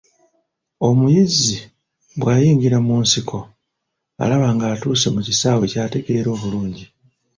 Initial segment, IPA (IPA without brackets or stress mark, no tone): o̞